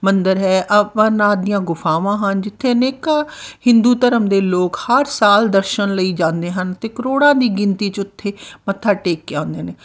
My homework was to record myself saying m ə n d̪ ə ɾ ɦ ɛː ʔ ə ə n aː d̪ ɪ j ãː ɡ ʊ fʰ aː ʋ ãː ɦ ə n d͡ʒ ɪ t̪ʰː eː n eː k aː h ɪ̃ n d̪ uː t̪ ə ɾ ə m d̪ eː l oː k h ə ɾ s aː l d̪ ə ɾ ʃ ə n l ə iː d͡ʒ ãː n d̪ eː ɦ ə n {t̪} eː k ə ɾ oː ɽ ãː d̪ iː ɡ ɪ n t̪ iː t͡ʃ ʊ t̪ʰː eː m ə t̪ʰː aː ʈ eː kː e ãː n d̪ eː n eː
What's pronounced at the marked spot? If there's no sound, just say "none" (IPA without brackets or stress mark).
t̪